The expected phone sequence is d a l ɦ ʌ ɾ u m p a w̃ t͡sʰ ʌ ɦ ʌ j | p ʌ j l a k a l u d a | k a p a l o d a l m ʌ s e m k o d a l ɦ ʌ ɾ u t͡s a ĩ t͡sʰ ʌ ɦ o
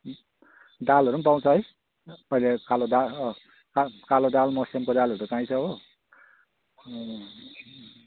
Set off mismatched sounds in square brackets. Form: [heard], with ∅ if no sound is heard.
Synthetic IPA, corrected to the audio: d a l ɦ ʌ ɾ u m p a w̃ t͡sʰ ʌ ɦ ʌ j | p ʌ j l [e] k a l [o] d a | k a [k] a l o d a l m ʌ s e m k o d a l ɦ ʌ ɾ u t͡s a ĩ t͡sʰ ʌ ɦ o